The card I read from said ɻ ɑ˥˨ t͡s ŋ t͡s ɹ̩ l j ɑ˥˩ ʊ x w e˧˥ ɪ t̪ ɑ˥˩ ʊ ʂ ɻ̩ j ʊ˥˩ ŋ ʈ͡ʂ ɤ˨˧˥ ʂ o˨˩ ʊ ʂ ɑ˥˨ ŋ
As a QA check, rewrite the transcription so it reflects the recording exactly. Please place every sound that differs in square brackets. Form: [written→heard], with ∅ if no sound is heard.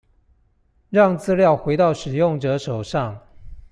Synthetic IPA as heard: ɻ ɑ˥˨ [t͡s→∅] ŋ t͡s ɹ̩ l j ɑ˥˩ ʊ x w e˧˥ ɪ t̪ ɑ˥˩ ʊ ʂ ɻ̩ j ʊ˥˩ ŋ ʈ͡ʂ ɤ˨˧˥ ʂ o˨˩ ʊ ʂ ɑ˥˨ ŋ